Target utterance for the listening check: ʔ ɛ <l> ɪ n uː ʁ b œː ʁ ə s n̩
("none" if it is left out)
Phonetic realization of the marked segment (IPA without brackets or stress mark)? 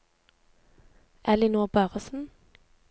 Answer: l